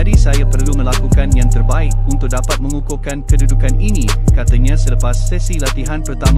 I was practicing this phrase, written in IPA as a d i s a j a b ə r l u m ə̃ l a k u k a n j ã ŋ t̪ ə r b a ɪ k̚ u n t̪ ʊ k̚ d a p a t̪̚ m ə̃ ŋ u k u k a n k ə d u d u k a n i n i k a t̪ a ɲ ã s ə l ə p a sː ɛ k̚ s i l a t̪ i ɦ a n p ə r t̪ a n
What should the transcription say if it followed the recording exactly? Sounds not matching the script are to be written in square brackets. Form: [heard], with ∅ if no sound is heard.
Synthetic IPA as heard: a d i s a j a [p] ə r l u m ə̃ l a k u k a n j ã ŋ t̪ ə r b a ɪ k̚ u n t̪ ʊ k̚ d a p a t̪̚ m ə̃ ŋ u k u k a n k ə d u d u k a n i n i k a t̪ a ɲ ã s ə l ə p a sː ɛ [∅] s i l a t̪ i ɦ a n p ə r t̪ a [m]